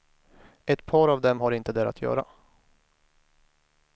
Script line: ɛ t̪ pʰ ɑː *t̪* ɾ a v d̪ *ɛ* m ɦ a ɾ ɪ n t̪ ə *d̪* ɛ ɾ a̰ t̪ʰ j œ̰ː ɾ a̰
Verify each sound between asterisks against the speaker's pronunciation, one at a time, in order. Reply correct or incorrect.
incorrect: none, correct, correct

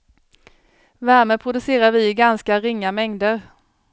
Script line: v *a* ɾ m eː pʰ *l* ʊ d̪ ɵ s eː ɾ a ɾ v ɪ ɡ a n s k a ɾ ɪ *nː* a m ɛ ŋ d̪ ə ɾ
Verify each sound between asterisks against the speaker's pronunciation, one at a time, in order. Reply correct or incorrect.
incorrect: æ, incorrect: ɾ, incorrect: ŋː

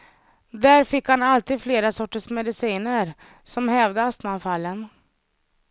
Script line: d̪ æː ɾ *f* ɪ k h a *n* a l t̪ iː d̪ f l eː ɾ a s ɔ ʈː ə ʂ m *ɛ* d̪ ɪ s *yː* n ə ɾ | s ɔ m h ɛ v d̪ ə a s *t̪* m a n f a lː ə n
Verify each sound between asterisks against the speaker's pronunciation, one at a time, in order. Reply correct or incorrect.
correct, correct, correct, incorrect: iː, correct

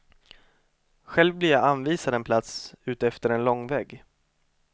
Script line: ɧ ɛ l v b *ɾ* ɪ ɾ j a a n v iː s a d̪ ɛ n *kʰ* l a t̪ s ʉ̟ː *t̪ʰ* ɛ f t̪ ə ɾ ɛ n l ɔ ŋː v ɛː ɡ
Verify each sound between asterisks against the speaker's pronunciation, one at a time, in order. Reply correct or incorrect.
incorrect: l, incorrect: pʰ, incorrect: t̪

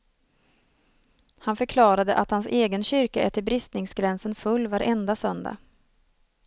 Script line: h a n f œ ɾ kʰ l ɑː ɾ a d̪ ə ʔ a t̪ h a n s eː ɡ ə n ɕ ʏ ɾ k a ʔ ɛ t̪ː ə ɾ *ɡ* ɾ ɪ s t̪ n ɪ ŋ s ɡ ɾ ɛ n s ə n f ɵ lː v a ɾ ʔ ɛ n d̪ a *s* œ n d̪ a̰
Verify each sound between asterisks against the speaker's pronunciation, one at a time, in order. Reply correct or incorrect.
incorrect: b, correct

